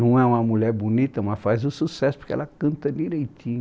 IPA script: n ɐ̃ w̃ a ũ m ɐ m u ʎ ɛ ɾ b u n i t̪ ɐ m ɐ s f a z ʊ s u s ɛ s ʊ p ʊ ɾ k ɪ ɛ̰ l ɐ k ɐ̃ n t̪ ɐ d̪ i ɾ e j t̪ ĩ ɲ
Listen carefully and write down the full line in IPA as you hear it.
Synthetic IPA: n ɐ̃ w̃ ɛ ũ m ɐ m u ʎ ɛ ɾ b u n i t̪ ɐ m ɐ s f a z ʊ s u s ɛ s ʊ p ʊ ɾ k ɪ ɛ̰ l ɐ k ɐ̃ n t̪ ɐ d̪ i ɾ e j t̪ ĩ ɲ